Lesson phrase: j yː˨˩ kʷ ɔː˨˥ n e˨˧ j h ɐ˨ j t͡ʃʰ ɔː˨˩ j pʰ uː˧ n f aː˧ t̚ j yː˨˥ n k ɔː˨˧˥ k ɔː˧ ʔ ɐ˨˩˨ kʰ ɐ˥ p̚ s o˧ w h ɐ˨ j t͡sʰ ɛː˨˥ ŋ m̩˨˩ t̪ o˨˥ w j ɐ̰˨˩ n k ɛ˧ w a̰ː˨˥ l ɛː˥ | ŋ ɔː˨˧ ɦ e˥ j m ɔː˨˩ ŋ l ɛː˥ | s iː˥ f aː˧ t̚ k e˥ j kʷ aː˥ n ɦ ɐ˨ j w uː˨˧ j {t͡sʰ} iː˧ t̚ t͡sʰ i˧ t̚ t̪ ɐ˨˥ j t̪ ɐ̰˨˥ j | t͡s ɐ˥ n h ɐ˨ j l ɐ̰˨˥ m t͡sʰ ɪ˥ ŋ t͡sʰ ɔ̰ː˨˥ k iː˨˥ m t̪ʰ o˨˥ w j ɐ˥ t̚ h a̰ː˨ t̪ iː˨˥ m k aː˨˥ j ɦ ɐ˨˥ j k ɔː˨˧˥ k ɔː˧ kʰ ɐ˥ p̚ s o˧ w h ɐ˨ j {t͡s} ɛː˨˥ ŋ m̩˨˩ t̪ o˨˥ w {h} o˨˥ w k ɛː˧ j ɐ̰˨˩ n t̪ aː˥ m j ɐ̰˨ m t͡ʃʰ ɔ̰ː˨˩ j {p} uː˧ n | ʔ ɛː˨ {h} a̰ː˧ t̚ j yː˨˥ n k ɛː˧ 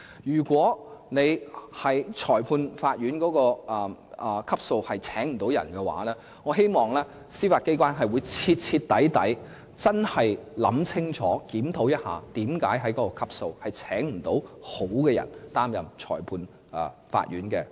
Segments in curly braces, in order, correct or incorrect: correct, incorrect: t͡sʰ, correct, incorrect: pʰ, incorrect: f

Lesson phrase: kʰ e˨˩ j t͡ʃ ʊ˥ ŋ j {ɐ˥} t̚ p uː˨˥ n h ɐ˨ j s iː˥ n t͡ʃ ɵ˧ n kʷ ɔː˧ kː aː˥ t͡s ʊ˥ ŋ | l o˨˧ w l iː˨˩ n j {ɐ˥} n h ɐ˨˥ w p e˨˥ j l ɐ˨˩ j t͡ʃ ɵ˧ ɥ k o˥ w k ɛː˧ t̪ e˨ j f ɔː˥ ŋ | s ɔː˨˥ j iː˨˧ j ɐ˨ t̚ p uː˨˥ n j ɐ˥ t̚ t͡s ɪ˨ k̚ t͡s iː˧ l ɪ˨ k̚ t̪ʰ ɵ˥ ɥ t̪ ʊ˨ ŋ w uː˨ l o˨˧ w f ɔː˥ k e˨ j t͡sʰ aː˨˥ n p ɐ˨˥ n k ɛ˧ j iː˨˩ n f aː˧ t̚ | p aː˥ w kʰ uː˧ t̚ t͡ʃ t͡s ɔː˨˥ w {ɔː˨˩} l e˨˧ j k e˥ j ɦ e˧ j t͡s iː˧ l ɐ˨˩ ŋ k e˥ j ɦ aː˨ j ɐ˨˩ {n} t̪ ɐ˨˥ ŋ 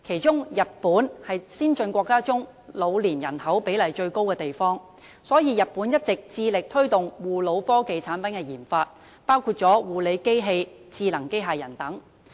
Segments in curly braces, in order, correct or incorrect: incorrect: ɐ˨, incorrect: ɐ˨˩, incorrect: uː˨˩, correct

